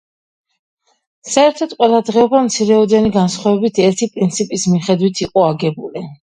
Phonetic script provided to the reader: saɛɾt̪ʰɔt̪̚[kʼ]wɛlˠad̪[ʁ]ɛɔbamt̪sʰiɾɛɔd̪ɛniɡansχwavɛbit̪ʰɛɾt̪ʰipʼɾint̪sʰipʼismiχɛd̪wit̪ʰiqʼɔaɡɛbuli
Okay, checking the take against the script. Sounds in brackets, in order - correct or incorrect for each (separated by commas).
incorrect, correct